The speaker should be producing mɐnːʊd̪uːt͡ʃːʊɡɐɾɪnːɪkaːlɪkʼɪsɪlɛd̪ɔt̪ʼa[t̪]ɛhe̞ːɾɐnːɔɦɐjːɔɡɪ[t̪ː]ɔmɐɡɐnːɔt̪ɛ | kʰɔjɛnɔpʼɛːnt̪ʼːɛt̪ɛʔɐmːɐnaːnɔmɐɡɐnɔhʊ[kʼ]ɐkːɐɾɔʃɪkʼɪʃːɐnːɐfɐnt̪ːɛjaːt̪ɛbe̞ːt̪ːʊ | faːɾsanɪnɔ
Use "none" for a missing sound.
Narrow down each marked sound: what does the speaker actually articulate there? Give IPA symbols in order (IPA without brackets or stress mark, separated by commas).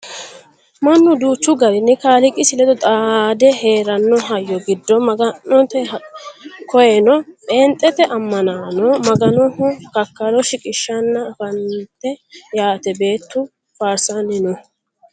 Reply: d̪, d̪ː, k